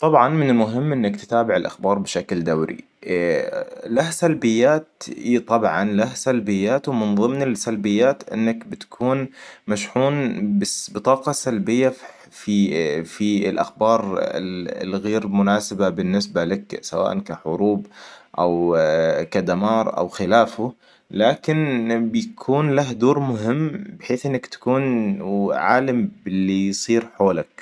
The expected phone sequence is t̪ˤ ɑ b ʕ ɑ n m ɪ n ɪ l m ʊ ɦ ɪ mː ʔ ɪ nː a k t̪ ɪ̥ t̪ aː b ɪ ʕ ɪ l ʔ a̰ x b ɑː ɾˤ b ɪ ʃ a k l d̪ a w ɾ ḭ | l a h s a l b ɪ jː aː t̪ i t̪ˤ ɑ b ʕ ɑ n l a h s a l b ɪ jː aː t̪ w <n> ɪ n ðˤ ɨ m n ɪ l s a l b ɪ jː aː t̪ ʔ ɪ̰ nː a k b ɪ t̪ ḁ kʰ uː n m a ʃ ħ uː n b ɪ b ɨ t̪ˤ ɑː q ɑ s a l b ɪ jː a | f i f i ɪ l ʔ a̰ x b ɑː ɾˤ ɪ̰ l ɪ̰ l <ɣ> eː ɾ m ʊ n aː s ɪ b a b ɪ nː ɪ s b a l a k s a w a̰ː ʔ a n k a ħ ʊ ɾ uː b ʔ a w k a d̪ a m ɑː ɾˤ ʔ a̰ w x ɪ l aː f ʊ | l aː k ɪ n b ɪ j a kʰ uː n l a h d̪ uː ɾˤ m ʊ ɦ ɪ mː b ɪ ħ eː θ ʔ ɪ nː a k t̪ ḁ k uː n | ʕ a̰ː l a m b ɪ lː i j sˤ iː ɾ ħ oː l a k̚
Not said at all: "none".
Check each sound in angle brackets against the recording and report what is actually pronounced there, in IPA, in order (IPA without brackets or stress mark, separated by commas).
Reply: m, ɣ